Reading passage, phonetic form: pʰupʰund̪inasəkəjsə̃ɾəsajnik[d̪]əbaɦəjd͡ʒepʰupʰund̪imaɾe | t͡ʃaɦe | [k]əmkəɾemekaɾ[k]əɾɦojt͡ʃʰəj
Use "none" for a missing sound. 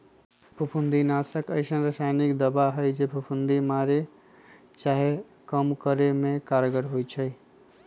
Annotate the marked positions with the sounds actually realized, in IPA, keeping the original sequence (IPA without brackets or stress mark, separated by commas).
d̪, k, ɡ